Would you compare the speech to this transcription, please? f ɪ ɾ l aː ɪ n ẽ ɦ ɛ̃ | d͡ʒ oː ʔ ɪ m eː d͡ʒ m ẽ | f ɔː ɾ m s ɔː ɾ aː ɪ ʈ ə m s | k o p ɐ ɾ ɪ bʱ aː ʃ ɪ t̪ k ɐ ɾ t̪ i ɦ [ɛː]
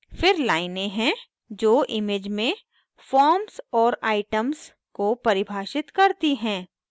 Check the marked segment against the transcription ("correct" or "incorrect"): incorrect